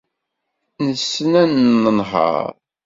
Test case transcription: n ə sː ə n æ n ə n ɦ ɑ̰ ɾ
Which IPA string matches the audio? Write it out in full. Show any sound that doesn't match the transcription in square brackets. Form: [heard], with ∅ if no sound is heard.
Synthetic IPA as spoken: n ə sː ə n æ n ə n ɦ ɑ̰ ɾ